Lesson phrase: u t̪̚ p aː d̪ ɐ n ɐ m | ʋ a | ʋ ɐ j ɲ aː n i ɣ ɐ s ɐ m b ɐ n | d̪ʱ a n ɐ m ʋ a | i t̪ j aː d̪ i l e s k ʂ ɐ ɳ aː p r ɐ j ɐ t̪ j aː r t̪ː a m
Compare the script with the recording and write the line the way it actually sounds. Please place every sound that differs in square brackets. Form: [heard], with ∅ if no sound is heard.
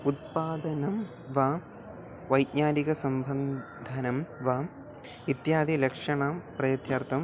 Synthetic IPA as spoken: u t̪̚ p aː d̪ ɐ n ɐ m | ʋ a | ʋ ɐ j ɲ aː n i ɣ ɐ s ɐ m b ɐ n | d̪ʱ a n ɐ m ʋ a | i t̪ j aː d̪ i l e [∅] k ʂ ɐ ɳ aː p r ɐ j ɐ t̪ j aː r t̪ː [ɐ] m